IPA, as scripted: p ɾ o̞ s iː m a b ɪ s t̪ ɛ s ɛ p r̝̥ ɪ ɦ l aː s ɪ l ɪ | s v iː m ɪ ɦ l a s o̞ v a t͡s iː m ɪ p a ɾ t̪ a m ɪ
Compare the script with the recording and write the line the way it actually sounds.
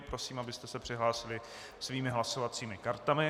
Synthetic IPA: p ɾ o̞ s iː m a b ɪ s t̪ ɛ s ɛ p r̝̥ ɪ ɦ l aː s ɪ l ɪ | s v iː m ɪ ɦ l a s o̞ v a t͡s iː m ɪ k a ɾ t̪ a m ɪ